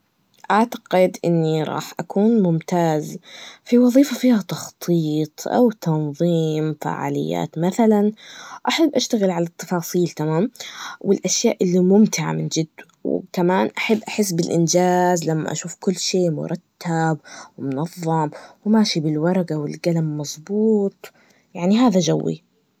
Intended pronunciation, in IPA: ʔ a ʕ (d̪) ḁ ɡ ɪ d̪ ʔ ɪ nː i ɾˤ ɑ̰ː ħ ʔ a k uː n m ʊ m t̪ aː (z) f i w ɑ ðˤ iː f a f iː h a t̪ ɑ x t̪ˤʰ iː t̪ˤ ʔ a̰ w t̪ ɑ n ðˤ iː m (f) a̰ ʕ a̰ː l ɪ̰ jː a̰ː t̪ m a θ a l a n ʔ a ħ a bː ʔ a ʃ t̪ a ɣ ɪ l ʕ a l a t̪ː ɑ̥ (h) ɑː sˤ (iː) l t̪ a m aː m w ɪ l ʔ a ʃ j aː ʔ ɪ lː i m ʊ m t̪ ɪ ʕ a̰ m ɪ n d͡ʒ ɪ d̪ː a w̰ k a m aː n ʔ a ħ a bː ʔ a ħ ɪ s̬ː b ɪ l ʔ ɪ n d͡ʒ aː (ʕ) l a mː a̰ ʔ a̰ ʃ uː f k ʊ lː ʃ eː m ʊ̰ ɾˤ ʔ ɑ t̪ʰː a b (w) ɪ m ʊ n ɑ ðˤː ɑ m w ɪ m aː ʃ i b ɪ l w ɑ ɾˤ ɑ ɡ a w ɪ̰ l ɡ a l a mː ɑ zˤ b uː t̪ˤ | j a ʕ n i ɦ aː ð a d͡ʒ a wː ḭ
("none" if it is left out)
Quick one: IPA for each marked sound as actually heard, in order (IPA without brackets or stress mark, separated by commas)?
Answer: t̪, z, f, f, iː, z, w